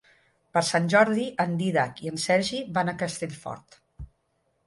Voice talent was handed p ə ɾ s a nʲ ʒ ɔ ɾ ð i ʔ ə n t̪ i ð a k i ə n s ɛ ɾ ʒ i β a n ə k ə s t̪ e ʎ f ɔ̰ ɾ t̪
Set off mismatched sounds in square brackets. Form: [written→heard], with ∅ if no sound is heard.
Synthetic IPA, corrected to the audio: p ə ɾ s a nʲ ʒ ɔ ɾ ð i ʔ ə n [t̪→d̪] i ð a k i ə n s ɛ ɾ ʒ i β a n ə k ə s t̪ e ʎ f ɔ̰ ɾ t̪

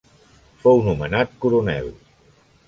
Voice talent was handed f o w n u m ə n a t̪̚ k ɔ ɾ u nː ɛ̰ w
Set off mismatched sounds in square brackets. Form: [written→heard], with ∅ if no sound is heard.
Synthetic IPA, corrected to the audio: f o w n u m ə n a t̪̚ k [ɔ→u] ɾ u [nː→n] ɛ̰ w

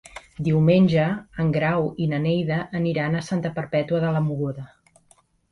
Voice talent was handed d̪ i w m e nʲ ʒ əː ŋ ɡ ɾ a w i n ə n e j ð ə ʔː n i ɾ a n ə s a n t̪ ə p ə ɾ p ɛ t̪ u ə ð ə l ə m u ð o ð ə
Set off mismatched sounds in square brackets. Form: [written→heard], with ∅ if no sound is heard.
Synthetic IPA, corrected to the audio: d̪ i w m e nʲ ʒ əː ŋ ɡ ɾ a w i n ə n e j ð ə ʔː n i ɾ a n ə s a n t̪ ə p ə ɾ p ɛ t̪ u ə ð ə l ə m u [ð→ɣ] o ð ə

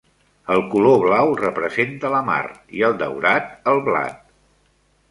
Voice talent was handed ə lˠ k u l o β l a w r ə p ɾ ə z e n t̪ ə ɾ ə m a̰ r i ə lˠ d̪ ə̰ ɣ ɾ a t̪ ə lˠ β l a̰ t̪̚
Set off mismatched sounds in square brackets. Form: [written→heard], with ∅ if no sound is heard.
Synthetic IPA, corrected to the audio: ə lˠ k u l o β l a w r ə p ɾ ə z e n t̪ ə [ɾ→l] ə m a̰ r i ə lˠ d̪ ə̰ [ɣ→w] ɾ a t̪ ə lˠ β l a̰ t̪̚

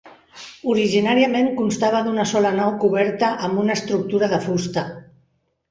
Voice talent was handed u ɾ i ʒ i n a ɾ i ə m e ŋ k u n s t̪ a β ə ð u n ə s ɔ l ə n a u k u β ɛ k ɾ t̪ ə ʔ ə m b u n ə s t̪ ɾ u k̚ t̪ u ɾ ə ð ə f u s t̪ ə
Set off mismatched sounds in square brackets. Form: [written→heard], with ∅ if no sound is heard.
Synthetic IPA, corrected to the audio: u ɾ i ʒ i n a ɾ i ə m e ŋ k u n s t̪ a β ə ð u n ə s ɔ l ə n a [u→w] k u β ɛ [k→∅] ɾ t̪ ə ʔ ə m b u n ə s t̪ ɾ u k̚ t̪ u ɾ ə ð ə f u s t̪ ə

